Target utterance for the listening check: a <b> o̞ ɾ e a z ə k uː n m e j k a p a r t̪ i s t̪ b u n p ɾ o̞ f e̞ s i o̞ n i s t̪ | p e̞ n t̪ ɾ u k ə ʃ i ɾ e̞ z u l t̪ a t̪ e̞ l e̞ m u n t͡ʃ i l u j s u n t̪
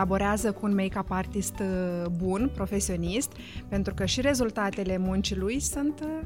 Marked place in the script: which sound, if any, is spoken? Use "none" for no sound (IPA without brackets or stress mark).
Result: b